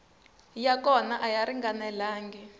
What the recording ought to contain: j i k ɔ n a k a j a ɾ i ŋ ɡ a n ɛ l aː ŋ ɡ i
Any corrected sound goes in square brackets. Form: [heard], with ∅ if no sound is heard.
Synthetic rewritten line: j [a] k ɔ n a [ʔ] a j a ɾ i ŋ ɡ a n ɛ l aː ŋ ɡ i